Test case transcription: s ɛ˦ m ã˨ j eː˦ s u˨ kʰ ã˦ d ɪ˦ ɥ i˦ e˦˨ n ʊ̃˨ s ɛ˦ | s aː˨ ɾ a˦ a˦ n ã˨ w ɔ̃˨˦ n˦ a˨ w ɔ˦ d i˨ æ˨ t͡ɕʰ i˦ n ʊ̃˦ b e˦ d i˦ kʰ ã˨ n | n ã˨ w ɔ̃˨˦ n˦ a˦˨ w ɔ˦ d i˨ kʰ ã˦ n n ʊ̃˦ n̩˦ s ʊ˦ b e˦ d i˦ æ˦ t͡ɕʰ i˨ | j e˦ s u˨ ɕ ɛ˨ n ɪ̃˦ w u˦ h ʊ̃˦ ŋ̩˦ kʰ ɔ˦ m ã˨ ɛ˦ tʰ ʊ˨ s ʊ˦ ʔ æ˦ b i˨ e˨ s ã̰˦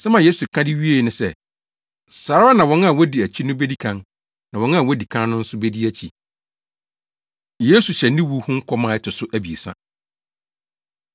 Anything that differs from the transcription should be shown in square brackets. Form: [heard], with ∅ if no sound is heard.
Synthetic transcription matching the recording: s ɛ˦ m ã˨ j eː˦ s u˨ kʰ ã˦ d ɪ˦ ɥ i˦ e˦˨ n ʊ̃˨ s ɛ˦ | s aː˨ ɾ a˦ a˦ n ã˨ w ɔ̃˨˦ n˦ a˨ w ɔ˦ d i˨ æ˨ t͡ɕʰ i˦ n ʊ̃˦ b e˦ d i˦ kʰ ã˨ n | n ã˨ w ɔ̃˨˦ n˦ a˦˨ w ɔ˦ d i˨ kʰ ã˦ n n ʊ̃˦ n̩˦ s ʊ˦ b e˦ d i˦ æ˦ t͡ɕʰ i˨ | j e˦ s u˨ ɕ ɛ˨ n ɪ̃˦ w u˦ h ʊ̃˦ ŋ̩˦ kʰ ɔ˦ m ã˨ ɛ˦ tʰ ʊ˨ s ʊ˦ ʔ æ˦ b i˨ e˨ s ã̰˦